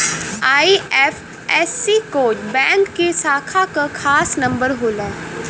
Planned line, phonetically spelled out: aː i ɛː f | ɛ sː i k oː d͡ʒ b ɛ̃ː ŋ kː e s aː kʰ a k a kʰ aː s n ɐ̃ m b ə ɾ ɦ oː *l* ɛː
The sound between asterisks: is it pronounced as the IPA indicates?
yes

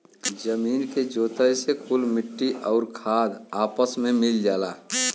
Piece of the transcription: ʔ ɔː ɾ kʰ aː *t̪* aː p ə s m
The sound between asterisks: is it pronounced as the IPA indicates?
no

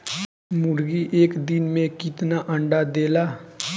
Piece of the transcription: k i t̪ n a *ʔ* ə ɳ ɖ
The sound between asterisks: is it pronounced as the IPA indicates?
yes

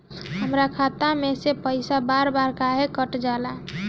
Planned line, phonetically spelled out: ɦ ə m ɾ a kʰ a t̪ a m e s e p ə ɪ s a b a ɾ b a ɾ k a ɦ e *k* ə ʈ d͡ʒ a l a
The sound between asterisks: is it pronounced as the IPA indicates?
yes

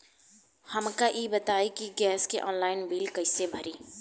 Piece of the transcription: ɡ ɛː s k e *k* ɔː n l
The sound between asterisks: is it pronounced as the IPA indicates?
no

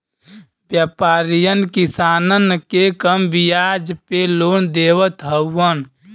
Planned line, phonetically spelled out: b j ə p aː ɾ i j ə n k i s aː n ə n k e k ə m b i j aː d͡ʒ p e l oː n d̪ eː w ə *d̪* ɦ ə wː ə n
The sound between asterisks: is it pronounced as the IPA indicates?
no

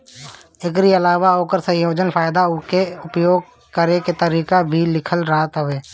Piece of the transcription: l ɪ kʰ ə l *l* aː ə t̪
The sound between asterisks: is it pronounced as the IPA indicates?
no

